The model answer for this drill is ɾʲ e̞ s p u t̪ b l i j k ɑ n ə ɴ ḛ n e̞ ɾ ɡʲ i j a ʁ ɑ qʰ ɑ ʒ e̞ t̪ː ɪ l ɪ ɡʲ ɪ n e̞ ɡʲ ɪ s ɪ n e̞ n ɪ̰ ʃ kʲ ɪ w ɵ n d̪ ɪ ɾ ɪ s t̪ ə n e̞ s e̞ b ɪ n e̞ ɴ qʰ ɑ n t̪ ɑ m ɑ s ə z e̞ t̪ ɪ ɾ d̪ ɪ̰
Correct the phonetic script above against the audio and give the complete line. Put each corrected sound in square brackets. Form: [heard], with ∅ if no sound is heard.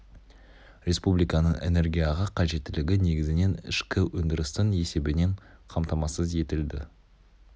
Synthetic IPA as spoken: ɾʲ e̞ s p u [∅] b l i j k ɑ n ə ɴ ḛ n e̞ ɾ ɡʲ i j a ʁ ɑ qʰ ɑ ʒ e̞ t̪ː ɪ l ɪ ɡʲ ɪ n e̞ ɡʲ ɪ [z] ɪ n e̞ n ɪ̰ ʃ kʲ ɪ w ɵ n d̪ ɪ ɾ ɪ s t̪ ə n e̞ s e̞ b ɪ n e̞ ɴ qʰ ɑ [m] t̪ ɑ m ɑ s ə z e̞ t̪ ɪ [l] d̪ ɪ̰

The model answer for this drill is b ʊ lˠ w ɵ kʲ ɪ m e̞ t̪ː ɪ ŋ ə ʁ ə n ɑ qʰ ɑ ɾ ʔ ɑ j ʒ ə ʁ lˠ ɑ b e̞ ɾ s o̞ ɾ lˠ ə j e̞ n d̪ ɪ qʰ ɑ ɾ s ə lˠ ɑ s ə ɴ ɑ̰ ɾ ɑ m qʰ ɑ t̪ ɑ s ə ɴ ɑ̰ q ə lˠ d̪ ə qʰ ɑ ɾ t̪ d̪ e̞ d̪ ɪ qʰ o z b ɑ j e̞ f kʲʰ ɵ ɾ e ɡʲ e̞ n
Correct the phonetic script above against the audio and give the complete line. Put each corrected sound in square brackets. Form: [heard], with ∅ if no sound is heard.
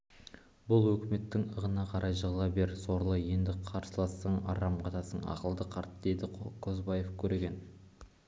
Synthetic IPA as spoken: b ʊ lˠ w ɵ kʲ ɪ m e̞ t̪ː ɪ ŋ ə ʁ ə n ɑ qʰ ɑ ɾ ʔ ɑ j ʒ ə ʁ lˠ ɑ b e̞ ɾ s o̞ ɾ lˠ ə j e̞ n d̪ ɪ qʰ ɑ ɾ s ə lˠ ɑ s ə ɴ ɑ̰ ɾ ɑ m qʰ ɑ t̪ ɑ s ə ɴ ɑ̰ q ə lˠ d̪ ə qʰ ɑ ɾ t̪ d̪ e̞ d̪ ɪ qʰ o z b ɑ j e̞ f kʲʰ ɵ ɾ e ɡʲ e̞ n

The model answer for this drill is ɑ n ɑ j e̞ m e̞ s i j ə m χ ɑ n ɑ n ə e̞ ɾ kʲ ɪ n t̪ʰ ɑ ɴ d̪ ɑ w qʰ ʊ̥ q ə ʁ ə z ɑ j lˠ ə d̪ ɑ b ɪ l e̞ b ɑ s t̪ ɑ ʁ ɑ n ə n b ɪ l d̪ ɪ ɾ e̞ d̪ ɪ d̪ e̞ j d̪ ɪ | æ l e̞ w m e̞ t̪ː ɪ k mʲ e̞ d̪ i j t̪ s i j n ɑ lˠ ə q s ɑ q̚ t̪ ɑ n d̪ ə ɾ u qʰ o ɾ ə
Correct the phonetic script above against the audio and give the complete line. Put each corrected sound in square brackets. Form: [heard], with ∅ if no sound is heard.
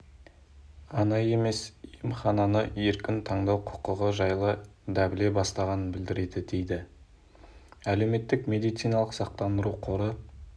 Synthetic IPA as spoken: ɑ n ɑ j e̞ m e̞ s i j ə m χ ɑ n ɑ n ə e̞ ɾ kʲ ɪ n t̪ʰ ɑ ɴ d̪ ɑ w qʰ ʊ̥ q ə ʁ ə [ʒ] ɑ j lˠ ə d̪ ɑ b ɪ l e̞ b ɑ s t̪ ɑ ʁ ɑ n ə n b ɪ l d̪ ɪ ɾ e̞ d̪ ɪ d̪ e̞ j d̪ ɪ | æ l e̞ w m e̞ t̪ː ɪ k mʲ e̞ d̪ i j t̪ s i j n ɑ lˠ ə q s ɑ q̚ t̪ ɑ n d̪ ə ɾ u qʰ o ɾ ə

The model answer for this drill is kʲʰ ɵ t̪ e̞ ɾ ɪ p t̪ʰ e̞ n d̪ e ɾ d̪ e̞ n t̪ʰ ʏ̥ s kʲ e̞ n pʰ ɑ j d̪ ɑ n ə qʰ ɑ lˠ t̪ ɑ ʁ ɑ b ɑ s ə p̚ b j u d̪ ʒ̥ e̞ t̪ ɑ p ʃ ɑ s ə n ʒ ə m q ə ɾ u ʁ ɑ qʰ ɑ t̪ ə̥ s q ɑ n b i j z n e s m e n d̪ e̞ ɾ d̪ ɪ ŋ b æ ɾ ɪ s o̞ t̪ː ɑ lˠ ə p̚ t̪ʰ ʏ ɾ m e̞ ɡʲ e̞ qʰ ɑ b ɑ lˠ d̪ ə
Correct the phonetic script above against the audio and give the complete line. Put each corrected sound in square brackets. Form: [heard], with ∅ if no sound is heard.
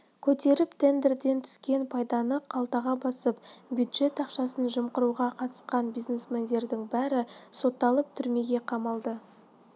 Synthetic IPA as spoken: kʲʰ ɵ t̪ e̞ ɾ ɪ p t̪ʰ e̞ n d̪ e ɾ d̪ e̞ n t̪ʰ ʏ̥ s kʲ e̞ n pʰ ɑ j d̪ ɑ n ə qʰ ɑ lˠ t̪ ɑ ʁ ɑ b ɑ s ə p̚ b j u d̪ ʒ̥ e̞ t̪ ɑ [q] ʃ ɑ s ə n ʒ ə m q ə ɾ u ʁ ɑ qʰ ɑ t̪ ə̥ s q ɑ n b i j z n e s m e n d̪ e̞ ɾ d̪ ɪ ŋ b æ ɾ ɪ s o̞ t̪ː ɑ lˠ ə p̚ t̪ʰ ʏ ɾ m e̞ ɡʲ e̞ qʰ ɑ [m] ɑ lˠ d̪ ə

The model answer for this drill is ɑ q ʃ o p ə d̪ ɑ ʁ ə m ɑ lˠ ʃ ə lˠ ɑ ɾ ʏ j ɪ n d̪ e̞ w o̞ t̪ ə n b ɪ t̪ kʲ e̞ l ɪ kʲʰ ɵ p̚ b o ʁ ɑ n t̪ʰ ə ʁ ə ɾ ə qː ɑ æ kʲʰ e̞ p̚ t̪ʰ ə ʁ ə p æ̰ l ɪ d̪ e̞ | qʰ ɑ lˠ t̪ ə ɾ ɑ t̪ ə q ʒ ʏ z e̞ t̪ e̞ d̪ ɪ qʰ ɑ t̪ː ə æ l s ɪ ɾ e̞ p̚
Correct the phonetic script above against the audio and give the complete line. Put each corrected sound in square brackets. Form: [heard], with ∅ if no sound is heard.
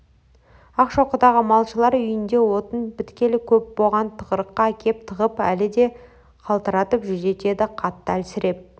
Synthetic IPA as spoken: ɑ q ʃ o [q] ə d̪ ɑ ʁ ə m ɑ lˠ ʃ ə lˠ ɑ ɾ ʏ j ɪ n d̪ e̞ w o̞ t̪ ə n b ɪ t̪ kʲ e̞ l ɪ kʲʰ ɵ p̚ b o ʁ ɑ n t̪ʰ ə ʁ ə ɾ ə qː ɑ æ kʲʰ e̞ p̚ t̪ʰ ə ʁ ə p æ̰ l ɪ d̪ e̞ | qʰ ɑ lˠ t̪ ə ɾ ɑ t̪ ə [p] ʒ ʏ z e̞ t̪ e̞ d̪ ɪ qʰ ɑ t̪ː ə æ l s ɪ ɾ e̞ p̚

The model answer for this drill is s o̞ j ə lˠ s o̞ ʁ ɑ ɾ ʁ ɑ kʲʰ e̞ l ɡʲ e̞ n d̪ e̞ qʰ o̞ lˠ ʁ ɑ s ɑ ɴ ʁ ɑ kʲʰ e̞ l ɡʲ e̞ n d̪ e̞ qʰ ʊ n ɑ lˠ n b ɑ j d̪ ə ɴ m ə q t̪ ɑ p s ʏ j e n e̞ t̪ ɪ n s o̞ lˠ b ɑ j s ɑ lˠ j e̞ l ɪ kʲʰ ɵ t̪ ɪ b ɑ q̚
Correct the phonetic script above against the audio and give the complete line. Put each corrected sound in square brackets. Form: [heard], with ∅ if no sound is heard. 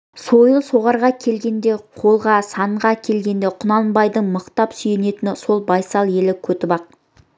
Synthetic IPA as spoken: s o̞ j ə lˠ s o̞ ʁ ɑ ɾ ʁ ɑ kʲʰ e̞ l ɡʲ e̞ n d̪ e̞ qʰ o̞ lˠ ʁ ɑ s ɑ ɴ ʁ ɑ kʲʰ e̞ l ɡʲ e̞ n d̪ e̞ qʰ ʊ n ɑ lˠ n b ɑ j d̪ ə ɴ m ə q t̪ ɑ p s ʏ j e n e̞ t̪ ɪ n s o̞ lˠ b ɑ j s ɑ lˠ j e̞ l ɪ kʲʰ ɵ t̪ ɪ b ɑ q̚

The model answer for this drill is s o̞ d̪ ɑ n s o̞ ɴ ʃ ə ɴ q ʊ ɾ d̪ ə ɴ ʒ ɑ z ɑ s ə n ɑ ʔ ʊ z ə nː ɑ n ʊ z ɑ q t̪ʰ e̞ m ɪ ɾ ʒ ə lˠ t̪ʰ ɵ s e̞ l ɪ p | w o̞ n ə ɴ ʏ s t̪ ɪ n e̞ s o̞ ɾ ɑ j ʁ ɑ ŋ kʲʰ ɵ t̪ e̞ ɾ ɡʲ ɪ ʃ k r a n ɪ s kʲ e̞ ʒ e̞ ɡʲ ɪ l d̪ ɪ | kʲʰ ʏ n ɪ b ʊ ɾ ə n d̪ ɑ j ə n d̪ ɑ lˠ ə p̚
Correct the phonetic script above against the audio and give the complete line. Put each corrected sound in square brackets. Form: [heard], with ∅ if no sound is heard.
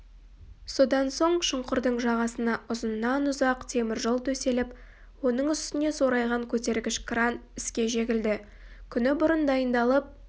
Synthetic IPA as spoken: s o̞ d̪ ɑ n s o̞ ɴ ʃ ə ɴ q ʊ ɾ d̪ ə ɴ ʒ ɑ [ʁ] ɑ s ə n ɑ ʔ ʊ z ə nː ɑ n ʊ z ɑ q t̪ʰ e̞ m ɪ ɾ ʒ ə lˠ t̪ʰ ɵ s e̞ l ɪ p | w o̞ n ə ɴ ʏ s t̪ ɪ n e̞ s o̞ ɾ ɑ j ʁ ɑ ŋ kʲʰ ɵ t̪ e̞ ɾ ɡʲ ɪ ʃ k r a n ɪ s kʲ e̞ ʒ e̞ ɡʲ ɪ l d̪ ɪ | kʲʰ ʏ n ɪ b ʊ ɾ ə n d̪ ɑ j ə n d̪ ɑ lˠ ə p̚

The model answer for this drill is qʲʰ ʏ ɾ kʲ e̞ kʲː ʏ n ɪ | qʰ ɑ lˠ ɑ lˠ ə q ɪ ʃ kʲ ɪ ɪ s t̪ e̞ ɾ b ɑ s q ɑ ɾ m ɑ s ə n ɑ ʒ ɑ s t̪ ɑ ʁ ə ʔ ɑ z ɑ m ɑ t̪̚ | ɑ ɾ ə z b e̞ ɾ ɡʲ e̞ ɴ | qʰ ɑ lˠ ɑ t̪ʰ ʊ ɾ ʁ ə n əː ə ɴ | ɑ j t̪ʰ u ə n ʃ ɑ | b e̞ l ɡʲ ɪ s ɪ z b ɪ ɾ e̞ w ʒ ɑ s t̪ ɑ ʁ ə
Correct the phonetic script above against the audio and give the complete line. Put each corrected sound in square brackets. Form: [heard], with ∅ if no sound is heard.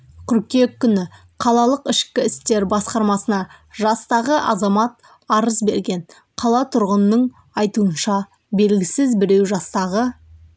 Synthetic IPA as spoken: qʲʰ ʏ ɾ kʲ e̞ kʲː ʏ n ɪ | qʰ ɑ lˠ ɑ lˠ ə q ɪ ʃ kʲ ɪ ɪ s t̪ e̞ ɾ b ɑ s q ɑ ɾ m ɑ s ə n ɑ ʒ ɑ s t̪ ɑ ʁ ə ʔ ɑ z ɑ m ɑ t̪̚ | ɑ ɾ ə z b e̞ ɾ ɡʲ e̞ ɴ | qʰ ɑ lˠ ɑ t̪ʰ ʊ ɾ ʁ ə n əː ə ɴ | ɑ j [t̪] u ə n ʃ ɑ | b e̞ l ɡʲ ɪ s ɪ z b ɪ ɾ e̞ w ʒ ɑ s t̪ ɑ ʁ ə

